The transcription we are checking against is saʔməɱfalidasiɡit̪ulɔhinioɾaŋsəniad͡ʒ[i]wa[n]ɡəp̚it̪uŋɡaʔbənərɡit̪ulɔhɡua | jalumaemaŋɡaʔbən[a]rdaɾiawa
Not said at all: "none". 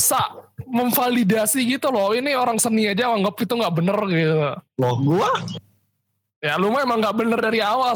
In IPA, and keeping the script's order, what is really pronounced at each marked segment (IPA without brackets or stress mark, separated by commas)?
a, ŋ, ə